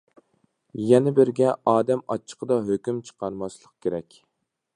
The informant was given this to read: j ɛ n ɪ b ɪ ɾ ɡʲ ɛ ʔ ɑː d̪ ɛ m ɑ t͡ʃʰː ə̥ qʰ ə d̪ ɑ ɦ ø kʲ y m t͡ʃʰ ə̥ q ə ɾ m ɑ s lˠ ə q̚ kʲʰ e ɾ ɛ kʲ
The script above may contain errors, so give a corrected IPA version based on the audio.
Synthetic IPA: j ɛ n ɪ b ɪ ɾ ɡʲ ɛ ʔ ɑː d̪ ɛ m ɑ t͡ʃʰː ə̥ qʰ ə d̪ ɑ ɦ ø kʲ y m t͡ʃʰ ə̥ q ɑ ɾ m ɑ s lˠ ə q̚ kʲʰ e ɾ ɛ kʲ